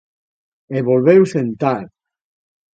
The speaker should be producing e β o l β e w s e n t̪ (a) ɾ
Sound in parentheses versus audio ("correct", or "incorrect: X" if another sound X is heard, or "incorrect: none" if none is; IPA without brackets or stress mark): correct